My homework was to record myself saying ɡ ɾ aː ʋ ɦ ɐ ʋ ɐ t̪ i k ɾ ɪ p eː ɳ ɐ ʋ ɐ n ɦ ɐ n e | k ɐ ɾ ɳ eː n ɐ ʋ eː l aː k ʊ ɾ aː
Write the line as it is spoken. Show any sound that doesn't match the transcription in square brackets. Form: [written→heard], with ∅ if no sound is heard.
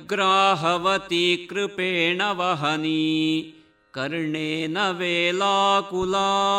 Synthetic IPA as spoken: ɡ ɾ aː [ʋ→∅] ɦ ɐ ʋ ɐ t̪ i k ɾ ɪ p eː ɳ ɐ ʋ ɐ [n→∅] ɦ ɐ n [e→i] | k ɐ ɾ ɳ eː n ɐ ʋ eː l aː k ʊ [ɾ→l] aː